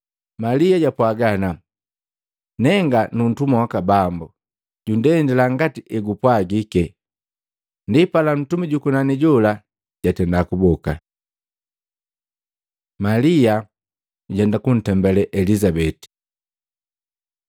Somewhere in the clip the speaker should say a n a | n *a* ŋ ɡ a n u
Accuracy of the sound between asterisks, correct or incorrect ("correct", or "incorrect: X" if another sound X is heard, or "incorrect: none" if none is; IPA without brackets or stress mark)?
incorrect: ɛ